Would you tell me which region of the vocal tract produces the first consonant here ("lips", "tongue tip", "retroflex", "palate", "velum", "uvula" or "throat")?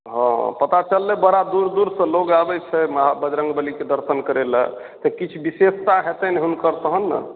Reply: throat